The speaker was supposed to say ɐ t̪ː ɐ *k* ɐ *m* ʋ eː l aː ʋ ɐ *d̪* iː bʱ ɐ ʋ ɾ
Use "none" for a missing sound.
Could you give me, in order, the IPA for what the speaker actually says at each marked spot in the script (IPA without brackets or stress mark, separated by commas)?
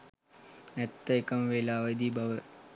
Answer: k, m, d̪